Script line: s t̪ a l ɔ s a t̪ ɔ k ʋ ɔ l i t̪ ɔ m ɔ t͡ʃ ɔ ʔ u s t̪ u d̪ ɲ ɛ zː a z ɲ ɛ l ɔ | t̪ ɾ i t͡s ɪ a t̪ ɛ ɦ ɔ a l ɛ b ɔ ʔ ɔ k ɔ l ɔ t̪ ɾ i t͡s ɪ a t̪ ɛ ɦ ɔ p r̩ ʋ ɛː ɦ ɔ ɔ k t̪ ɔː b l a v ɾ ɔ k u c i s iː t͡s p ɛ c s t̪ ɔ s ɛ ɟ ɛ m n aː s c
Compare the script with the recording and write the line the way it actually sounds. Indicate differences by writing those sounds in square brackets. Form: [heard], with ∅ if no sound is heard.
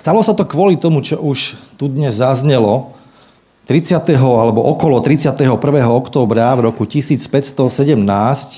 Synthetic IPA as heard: s t̪ a l ɔ s a t̪ ɔ k ʋ ɔ l i t̪ ɔ m [u] t͡ʃ ɔ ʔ u [ʃ] t̪ u d̪ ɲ ɛ zː a z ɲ ɛ l ɔ | t̪ ɾ i t͡s ɪ a t̪ ɛ ɦ ɔ a l ɛ b ɔ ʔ ɔ k ɔ l ɔ t̪ ɾ i t͡s ɪ a t̪ ɛ ɦ ɔ p r̩ ʋ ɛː ɦ ɔ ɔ k t̪ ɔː b [ɾ] a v ɾ ɔ k u c i s iː t͡s p ɛ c s t̪ ɔ s ɛ ɟ ɛ m n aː s c